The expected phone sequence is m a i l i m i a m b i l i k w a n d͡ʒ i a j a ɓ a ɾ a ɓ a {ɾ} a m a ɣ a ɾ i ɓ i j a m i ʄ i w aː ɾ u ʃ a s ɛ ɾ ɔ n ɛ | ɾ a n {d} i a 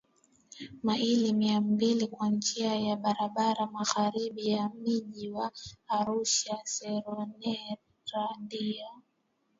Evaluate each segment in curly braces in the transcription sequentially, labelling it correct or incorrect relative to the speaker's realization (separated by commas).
correct, correct